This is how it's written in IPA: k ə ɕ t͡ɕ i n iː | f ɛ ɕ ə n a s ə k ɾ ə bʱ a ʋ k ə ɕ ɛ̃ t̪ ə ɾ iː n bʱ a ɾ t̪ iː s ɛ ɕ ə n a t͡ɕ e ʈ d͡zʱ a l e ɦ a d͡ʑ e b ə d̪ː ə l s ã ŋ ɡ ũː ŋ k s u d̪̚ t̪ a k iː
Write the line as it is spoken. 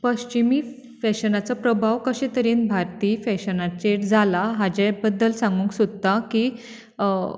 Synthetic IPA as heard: p ə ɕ t͡ɕ i m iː | f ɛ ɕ ə n a t͡s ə p ɾ ə bʱ a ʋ k ə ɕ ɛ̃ t̪ ə ɾ iː n bʱ a ɾ t̪ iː f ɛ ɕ ə n a t͡ɕ e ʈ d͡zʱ a l a ɦ a d͡ʑ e b ə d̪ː ə l s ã ŋ ɡ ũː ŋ k s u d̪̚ t̪ a k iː